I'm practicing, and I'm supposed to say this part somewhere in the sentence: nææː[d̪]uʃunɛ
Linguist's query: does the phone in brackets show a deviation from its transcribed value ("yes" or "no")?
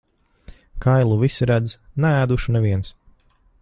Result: no